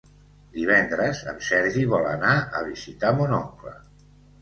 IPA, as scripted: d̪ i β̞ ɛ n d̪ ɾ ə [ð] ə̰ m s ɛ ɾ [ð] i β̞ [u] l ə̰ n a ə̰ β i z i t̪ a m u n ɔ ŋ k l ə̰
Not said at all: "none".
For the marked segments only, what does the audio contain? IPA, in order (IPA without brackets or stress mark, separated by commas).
z, ʒ, ɔ